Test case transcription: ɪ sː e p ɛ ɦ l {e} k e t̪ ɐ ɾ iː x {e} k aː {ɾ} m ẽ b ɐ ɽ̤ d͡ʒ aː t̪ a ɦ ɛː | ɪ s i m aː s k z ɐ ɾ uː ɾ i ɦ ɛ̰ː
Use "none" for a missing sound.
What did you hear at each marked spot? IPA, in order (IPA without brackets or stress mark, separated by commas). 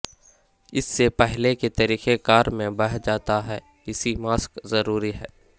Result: e, e, ɾ